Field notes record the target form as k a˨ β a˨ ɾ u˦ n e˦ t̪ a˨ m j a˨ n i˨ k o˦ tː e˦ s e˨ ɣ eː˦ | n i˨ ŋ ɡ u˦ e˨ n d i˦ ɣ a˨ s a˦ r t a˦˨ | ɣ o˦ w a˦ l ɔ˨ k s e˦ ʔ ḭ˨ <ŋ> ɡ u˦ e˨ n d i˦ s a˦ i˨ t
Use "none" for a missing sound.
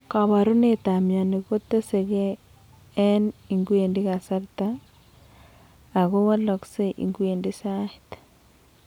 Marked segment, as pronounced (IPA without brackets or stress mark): ŋ